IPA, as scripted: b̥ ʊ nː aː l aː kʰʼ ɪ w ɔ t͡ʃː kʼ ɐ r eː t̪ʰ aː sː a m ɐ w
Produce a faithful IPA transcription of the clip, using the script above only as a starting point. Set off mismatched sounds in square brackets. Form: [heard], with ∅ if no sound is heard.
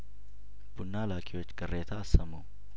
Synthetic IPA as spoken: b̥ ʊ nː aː l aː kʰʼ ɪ w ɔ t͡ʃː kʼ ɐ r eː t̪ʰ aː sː [ɐ] m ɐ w

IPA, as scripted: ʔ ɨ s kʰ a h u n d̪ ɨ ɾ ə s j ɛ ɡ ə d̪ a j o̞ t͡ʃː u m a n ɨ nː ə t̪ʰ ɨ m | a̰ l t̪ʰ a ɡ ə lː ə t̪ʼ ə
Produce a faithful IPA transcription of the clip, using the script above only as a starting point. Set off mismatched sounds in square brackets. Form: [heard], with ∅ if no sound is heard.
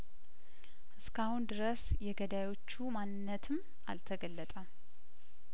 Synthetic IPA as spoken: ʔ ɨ s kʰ a h u n d̪ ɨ ɾ ə s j ɛ ɡ ə d̪ a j o̞ t͡ʃː u m a n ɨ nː ə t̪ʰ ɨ m | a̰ l t̪ʰ [ə] ɡ ə lː ə t̪ʼ ə

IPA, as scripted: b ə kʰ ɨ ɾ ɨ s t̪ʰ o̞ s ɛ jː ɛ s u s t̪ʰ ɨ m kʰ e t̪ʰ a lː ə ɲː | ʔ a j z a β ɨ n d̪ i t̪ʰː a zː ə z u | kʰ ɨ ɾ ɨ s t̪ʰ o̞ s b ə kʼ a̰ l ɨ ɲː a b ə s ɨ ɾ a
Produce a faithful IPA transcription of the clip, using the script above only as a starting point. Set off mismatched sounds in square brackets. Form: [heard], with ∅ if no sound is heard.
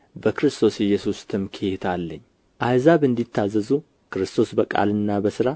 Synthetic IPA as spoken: b ə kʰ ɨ ɾ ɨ s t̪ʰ o̞ s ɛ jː ɛ s u s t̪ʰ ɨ m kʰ e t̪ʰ a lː ə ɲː | ʔ a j z a β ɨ n d̪ i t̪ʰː a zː ə z u | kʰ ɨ ɾ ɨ s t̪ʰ o̞ s b ə kʼ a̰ l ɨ [nː] a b ə s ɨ ɾ a

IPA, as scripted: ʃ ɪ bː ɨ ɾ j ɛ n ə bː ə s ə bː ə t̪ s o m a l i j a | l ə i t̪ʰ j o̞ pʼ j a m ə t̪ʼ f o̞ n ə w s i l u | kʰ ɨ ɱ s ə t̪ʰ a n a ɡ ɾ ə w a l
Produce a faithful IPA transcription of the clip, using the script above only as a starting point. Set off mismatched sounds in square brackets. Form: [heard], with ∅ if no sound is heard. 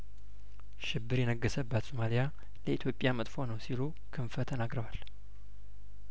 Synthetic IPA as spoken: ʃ ɪ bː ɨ ɾ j ɛ n ə [ɡː] ə s ə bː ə t̪ s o m a l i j a | l ə i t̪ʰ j o̞ pʼ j a m ə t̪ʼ f o̞ n ə w s i l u | kʰ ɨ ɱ [f] ə t̪ʰ [ə] n a ɡ ɾ ə w a l

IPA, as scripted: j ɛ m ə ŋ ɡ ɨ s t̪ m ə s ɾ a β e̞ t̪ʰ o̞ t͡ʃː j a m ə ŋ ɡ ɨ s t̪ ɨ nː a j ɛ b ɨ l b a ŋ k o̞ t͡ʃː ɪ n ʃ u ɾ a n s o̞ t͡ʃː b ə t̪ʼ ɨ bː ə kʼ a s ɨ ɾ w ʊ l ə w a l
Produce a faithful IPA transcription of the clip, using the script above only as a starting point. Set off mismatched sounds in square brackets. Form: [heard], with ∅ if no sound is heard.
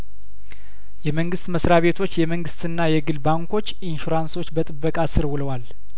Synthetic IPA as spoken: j ɛ m ə ŋ ɡ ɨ s t̪ m ə s ɾ a β e̞ t̪ʰ o̞ t͡ʃː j [ɛ] m ə ŋ ɡ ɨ s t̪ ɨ nː a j ɛ [ɡ] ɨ l b a ŋ k o̞ t͡ʃː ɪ n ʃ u ɾ a n s o̞ t͡ʃː b ə t̪ʼ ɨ bː ə kʼ a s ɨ ɾ w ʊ l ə w a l

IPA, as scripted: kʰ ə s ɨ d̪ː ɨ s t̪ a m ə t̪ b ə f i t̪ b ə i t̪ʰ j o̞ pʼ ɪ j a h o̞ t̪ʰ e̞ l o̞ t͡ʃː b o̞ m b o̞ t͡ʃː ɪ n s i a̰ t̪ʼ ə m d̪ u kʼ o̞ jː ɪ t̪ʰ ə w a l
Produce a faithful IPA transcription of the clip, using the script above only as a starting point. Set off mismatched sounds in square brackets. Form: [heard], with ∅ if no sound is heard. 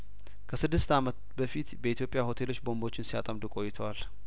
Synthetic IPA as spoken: kʰ ə s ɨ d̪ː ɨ s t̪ a m ə t̪ b ə f i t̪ b ə i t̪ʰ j o̞ pʼ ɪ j a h o̞ t̪ʰ e̞ l o̞ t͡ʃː b o̞ m b o̞ t͡ʃː ɪ n s i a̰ t̪ʼ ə m d̪ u kʼ o̞ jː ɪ t̪ʰ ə w a l

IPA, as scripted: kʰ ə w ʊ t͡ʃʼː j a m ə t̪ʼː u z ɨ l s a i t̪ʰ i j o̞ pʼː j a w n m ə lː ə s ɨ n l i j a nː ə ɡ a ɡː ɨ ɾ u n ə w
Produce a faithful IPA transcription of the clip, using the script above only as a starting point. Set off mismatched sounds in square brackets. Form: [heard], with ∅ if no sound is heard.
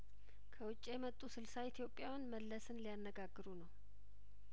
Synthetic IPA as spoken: kʰ ə w ʊ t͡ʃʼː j [ɛ] m ə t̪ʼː u [s] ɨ l s a i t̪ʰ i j o̞ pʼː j a w n m ə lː ə s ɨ n l i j a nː ə ɡ a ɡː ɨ ɾ u n ə w

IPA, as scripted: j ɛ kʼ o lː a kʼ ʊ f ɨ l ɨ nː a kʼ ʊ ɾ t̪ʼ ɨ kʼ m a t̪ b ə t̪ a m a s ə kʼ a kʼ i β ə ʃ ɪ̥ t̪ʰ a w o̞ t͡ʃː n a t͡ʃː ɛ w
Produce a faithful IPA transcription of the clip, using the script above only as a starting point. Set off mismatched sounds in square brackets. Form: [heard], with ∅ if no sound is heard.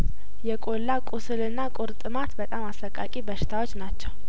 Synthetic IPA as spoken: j ɛ kʼ o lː a kʼ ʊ [s] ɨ l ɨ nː a kʼ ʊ ɾ t̪ʼ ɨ [∅] m a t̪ b ə [t̪ʼ] a m a s ə kʼ a kʼ i [b] ə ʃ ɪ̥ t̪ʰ a w o̞ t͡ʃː n a t͡ʃː ɛ w

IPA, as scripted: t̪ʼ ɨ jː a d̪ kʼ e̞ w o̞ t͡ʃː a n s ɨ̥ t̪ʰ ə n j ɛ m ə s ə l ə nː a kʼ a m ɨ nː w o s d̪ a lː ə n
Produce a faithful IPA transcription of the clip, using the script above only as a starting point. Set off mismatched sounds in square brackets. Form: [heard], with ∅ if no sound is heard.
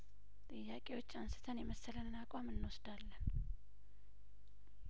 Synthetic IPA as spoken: t̪ʼ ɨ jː a [∅] kʼ e̞ w o̞ t͡ʃː a n s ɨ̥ t̪ʰ ə n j ɛ m ə s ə l ə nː a kʼ a m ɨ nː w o s d̪ a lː ə n

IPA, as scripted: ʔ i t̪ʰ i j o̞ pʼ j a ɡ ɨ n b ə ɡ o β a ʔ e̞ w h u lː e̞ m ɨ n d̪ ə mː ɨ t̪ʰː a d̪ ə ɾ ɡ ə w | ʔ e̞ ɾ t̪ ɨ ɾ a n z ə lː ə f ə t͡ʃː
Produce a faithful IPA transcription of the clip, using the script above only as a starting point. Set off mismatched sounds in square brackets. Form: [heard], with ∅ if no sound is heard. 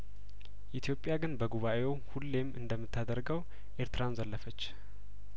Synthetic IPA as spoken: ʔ i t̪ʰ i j o̞ pʼ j a ɡ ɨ n b ə ɡ [u] β a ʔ e̞ w h u lː e̞ m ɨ n d̪ ə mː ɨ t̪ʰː a d̪ ə ɾ ɡ ə w | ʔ e̞ ɾ t̪ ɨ ɾ a n z ə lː ə f ə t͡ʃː

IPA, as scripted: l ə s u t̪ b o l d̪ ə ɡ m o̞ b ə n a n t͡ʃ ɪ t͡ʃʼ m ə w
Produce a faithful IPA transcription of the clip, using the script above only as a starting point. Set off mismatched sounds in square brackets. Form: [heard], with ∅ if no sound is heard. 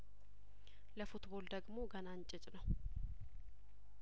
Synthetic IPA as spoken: l ə [f] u t̪ b o l d̪ ə ɡ m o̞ [ɡ] ə n a n [t͡ʃʼ] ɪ t͡ʃʼ [n] ə w

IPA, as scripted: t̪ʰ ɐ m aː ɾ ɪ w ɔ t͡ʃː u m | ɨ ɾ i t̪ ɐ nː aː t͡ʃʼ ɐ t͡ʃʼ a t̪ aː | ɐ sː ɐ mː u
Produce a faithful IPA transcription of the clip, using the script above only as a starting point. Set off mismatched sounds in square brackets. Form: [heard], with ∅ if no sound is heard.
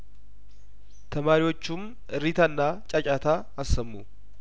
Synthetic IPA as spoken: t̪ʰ ɐ m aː ɾ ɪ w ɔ t͡ʃː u m | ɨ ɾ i t̪ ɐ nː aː t͡ʃʼ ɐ t͡ʃʼ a t̪ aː | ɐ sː ɐ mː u

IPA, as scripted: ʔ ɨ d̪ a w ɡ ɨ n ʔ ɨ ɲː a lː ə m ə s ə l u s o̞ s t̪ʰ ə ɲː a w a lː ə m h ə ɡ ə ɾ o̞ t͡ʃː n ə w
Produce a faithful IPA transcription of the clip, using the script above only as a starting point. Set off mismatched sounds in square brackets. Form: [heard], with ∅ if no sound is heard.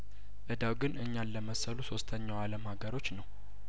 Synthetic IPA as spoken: ʔ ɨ d̪ a w ɡ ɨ n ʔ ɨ ɲː a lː ə m ə s ə l u s o̞ s t̪ʰ ə ɲː a w a [l] ə m h [a] ɡ ə ɾ o̞ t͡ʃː n ə w

